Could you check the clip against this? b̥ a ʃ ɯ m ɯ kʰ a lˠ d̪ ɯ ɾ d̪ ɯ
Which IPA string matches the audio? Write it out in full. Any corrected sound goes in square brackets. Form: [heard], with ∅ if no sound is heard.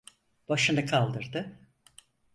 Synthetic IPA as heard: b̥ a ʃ ɯ [n] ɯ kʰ a lˠ d̪ ɯ ɾ d̪ ɯ